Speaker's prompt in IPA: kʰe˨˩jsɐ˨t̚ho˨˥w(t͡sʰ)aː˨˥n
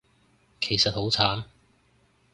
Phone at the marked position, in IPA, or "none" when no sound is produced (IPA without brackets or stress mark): t͡sʰ